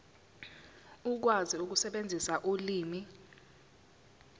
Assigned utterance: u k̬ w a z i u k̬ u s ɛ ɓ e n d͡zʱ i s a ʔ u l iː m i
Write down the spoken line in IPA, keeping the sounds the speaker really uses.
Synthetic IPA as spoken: u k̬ w a z i u k̬ u s ɛ ɓ e n d͡zʱ i s a ʔ u l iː m i

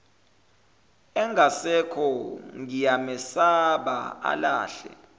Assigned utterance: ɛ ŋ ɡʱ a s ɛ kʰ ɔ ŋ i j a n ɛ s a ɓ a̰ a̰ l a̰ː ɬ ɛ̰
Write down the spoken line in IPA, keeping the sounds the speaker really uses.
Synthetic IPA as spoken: ɛ ŋ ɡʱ a s ɛ kʰ ɔ ŋ i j a m ɛ s a ɓ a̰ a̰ l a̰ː ɬ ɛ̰

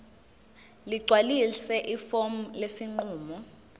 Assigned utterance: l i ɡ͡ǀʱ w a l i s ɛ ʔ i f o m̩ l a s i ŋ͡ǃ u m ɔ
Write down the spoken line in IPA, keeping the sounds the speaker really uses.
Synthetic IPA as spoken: l i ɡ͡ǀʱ w a l i s ɛ ʔ i f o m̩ l e s i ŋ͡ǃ uː m ɔ

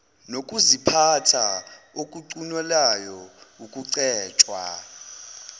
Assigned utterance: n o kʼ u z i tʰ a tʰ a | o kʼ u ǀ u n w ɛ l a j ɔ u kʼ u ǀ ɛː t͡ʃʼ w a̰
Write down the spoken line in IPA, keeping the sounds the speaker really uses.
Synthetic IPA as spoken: n o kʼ u z i pʰ a tʰ a | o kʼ u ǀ u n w ɛ l a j ɔ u kʼ u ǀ ɛː t͡ʃʼ w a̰

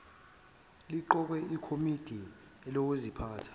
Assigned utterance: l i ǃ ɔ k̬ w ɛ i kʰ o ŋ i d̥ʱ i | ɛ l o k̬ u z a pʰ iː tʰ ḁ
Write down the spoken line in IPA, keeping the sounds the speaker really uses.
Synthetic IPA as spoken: l i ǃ ɔ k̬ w ɛ i kʰ o m i d̥ʱ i | ɛ l o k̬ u z i pʰ aː tʰ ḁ

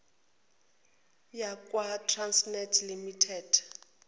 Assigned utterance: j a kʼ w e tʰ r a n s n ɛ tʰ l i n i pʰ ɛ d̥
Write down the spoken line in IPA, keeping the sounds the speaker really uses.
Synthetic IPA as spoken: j a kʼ w a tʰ r a n s n ɛ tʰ l i m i tʰ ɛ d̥

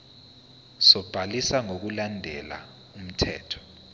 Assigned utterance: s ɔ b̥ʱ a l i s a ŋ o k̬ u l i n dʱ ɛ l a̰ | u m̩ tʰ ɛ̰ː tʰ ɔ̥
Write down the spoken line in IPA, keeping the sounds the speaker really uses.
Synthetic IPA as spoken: s ɔ b̥ʱ a l i s a ŋ o k̬ u l a n dʱ ɛ l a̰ | u m̩ tʰ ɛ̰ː tʰ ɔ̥

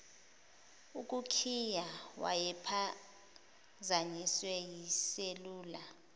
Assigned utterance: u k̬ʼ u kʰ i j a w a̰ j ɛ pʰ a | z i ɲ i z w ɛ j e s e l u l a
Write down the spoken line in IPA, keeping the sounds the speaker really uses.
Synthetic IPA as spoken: u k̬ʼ u kʰ i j a w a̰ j ɛ pʰ a | z a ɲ i s w ɛ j i s e l uː l a

